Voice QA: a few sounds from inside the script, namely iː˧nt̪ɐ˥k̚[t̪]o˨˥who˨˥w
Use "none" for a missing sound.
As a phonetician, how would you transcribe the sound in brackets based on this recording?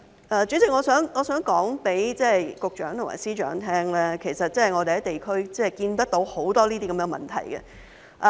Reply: t̪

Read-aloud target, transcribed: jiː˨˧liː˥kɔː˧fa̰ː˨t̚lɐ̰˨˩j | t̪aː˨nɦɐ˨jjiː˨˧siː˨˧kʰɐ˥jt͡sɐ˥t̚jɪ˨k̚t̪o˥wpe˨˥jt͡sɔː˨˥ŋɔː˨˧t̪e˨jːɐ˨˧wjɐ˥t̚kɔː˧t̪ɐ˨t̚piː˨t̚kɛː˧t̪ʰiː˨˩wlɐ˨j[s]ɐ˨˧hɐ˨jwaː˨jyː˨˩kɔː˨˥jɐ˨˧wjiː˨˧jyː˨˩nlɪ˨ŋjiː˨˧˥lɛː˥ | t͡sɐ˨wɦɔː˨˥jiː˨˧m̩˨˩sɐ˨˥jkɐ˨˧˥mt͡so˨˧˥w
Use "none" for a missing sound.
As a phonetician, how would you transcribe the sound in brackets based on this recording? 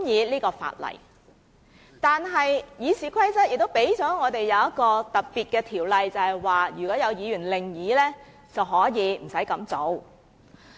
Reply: t͡s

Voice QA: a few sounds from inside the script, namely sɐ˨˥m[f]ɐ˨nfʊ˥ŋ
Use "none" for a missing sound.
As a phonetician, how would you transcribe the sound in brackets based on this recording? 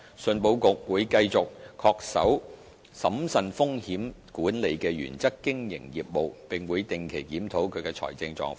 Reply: s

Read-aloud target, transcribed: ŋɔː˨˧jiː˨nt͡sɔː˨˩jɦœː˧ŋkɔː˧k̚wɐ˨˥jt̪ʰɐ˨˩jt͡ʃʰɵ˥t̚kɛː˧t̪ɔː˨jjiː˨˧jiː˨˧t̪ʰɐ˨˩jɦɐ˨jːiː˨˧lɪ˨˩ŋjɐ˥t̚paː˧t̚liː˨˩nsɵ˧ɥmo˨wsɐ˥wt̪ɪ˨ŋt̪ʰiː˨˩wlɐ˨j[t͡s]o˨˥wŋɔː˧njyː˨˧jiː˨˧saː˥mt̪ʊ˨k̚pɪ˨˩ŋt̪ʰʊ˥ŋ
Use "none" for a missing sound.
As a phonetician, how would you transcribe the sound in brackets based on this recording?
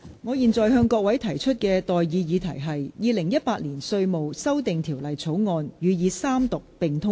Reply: t͡sʰ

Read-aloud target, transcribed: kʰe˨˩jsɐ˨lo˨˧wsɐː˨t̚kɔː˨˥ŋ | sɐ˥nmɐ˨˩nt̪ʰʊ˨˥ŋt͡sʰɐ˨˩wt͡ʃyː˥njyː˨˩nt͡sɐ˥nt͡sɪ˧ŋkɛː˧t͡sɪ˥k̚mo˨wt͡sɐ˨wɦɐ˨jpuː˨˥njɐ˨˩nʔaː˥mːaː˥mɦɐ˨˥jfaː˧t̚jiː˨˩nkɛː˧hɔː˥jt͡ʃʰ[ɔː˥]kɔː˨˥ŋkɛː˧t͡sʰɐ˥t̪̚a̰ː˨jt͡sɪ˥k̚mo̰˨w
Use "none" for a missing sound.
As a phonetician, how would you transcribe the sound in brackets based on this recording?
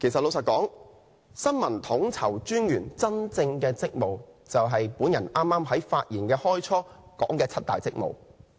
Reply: ɔː˥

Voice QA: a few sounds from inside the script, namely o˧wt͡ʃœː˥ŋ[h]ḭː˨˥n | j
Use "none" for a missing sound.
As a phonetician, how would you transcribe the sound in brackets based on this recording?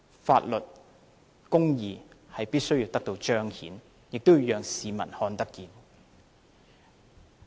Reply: h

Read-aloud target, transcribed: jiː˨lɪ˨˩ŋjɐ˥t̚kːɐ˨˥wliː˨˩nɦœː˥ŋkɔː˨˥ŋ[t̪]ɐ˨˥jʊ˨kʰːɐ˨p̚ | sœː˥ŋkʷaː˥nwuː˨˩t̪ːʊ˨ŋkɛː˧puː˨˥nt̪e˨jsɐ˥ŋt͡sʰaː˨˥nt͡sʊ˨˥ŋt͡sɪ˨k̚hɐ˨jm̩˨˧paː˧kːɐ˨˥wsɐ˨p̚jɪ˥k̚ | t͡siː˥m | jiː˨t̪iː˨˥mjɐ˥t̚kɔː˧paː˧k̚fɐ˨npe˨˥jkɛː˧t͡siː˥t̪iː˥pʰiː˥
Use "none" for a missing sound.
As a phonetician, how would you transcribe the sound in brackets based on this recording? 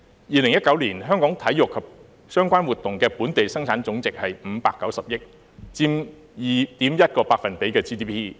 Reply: t̪ʰ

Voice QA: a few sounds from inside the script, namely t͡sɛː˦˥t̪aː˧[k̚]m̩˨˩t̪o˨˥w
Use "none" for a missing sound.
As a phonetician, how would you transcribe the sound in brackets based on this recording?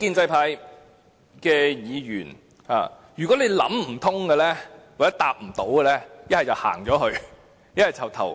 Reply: p̚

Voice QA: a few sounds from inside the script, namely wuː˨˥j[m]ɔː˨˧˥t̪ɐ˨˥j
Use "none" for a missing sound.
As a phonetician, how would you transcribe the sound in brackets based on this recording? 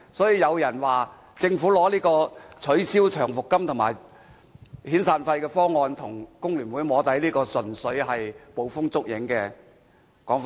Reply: m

